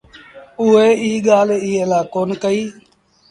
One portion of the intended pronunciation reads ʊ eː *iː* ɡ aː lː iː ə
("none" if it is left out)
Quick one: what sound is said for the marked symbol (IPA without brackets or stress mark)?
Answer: iː